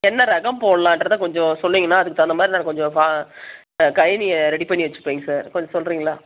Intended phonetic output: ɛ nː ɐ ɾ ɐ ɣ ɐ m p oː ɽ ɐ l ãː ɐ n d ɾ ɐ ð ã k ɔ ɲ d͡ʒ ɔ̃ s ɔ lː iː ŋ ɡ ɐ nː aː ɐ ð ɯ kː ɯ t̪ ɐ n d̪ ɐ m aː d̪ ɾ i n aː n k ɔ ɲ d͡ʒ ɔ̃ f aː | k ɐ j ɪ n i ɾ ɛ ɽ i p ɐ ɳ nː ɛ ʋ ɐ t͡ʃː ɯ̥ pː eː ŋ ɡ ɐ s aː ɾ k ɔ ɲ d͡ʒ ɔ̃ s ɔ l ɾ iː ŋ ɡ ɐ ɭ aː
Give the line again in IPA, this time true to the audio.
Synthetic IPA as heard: ɛ nː ɐ ɾ ɐ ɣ ɐ m p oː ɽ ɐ l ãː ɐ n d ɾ ɐ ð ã k ɔ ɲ d͡ʒ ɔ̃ s ɔ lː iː ŋ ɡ ɐ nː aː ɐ ð ɯ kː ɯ t̪ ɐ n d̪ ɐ m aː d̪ ɾ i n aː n k ɔ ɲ d͡ʒ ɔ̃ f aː | k ɐ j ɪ n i ɾ ɛ ɽ i p ɐ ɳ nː i ʋ ɐ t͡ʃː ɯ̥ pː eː ŋ ɡ ɐ s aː ɾ k ɔ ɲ d͡ʒ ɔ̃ s ɔ l ɾ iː ŋ ɡ ɐ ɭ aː

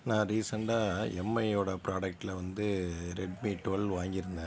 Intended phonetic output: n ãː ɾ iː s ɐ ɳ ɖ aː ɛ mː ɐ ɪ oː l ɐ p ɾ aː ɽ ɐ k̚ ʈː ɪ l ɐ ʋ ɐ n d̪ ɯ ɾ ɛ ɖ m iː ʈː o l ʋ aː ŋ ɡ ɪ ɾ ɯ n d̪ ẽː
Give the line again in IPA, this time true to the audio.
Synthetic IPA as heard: n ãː ɾ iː s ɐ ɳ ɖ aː ɛ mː ɐ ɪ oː ɽ ɐ p ɾ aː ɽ ɐ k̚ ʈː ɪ l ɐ ʋ ɐ n d̪ ɯ ɾ ɛ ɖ m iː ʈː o l ʋ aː ŋ ɡ ɪ ɾ ɯ n d̪ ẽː

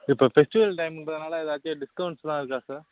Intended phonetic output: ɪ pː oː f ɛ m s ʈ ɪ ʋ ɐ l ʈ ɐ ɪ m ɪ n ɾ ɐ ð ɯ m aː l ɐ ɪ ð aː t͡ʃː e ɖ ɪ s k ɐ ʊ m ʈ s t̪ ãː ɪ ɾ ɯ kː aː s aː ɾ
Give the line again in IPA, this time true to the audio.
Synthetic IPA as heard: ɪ pː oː f ɛ s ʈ ɪ ʋ ɐ l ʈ ɐ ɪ m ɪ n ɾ ɐ ð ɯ n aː l ɐ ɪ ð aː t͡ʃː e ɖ ɪ s k ɐ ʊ ɳ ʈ s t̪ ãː ɪ ɾ ɯ kː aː s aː ɾ

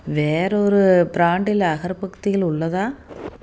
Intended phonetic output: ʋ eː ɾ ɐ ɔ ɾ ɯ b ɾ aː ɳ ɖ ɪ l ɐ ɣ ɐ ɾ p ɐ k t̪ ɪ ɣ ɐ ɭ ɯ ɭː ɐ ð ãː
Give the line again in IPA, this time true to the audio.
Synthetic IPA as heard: ʋ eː ɾ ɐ ɔ ɾ ɯ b ɾ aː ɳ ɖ ɪ l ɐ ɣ ɐ ɾ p ɐ k t̪ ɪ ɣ ɐ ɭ ʊ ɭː ɐ ð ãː

